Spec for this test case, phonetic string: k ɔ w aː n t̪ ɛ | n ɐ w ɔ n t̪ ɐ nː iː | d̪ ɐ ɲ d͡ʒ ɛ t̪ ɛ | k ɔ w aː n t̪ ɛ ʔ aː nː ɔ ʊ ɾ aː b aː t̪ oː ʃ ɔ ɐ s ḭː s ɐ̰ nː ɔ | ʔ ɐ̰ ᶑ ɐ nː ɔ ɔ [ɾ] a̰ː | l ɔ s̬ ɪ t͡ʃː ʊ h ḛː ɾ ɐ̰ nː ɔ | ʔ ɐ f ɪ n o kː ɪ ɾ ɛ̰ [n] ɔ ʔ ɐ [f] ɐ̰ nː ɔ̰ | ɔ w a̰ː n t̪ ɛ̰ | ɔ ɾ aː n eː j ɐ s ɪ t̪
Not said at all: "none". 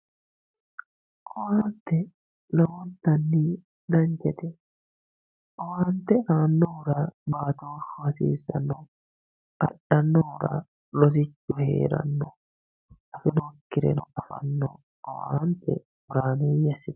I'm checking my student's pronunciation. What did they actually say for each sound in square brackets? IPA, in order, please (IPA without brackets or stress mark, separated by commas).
ɾ, n, f